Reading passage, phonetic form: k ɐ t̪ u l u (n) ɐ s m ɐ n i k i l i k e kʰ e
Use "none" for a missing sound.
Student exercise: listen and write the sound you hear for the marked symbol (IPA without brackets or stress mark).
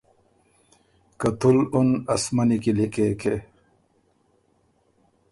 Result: n